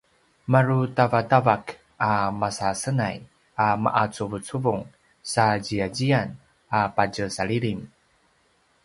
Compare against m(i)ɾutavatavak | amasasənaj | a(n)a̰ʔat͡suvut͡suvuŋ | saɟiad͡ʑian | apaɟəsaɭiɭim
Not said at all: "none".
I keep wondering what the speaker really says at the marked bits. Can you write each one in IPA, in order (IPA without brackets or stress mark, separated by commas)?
a, m